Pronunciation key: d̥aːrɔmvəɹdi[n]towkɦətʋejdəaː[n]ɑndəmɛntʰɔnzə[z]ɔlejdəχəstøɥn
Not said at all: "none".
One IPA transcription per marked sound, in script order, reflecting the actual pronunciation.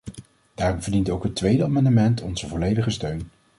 n, m, v

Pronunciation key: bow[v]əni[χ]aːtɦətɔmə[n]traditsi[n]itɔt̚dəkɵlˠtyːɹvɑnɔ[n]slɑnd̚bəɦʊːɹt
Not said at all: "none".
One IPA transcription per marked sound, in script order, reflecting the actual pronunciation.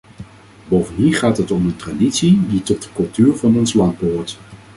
v, χ, n, d, n

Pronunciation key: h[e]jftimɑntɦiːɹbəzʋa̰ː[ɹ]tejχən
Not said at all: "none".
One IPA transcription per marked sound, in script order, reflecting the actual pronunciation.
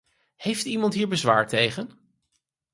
e, ɹ

